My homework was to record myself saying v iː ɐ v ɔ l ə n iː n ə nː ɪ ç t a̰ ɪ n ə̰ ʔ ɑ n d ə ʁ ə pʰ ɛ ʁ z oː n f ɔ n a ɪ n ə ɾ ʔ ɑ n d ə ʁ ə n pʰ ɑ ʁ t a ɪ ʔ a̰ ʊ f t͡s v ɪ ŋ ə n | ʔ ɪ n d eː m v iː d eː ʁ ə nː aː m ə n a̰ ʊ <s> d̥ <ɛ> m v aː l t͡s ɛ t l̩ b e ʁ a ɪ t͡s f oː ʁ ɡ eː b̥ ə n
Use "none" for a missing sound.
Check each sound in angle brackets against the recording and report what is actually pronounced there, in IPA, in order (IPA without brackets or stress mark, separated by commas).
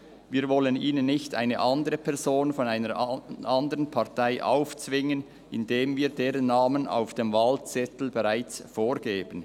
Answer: f, e